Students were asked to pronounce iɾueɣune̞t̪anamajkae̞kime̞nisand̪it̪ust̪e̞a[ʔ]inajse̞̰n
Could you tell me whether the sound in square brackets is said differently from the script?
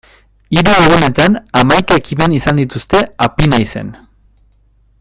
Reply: yes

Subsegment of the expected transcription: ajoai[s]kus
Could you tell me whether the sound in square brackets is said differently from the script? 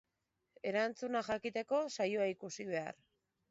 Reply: yes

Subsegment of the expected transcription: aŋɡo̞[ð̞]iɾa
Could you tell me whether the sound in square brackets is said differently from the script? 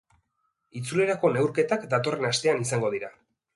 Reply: no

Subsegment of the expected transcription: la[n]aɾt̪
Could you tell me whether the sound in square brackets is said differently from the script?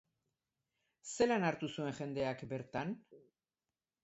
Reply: no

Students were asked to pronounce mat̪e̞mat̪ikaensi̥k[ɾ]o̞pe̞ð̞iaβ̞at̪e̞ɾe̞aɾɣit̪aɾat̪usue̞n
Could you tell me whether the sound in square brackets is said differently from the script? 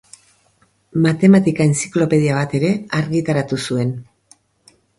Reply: yes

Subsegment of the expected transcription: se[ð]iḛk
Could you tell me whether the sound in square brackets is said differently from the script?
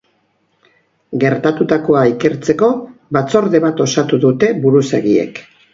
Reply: yes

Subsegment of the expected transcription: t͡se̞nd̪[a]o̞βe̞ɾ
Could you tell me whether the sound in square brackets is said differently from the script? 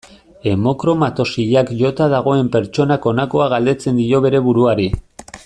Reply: yes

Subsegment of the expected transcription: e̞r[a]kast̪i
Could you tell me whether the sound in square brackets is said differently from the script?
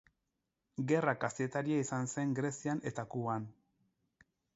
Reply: no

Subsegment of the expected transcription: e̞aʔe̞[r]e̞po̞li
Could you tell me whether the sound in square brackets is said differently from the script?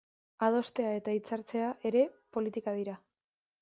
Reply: yes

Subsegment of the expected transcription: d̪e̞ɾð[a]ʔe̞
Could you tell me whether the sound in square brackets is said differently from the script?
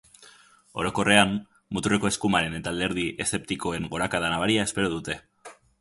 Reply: yes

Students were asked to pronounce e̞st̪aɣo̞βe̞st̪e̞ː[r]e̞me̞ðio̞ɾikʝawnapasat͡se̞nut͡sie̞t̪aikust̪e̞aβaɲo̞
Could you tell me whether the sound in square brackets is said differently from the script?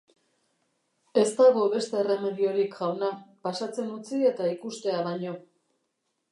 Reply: no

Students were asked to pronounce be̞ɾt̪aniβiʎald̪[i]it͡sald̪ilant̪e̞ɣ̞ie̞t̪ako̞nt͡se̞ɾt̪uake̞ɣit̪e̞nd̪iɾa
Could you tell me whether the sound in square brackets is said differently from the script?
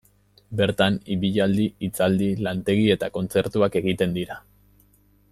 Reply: no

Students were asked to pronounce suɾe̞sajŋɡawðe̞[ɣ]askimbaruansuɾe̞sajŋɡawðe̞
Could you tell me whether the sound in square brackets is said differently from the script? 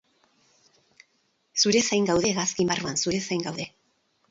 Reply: no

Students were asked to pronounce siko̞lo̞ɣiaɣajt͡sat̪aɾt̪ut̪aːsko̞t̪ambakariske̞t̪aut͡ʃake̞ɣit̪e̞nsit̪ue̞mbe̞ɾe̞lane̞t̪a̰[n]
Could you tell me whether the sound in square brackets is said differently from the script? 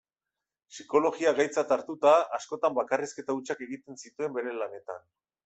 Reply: no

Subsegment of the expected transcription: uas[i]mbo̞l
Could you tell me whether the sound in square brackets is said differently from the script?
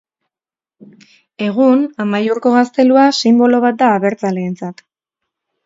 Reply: no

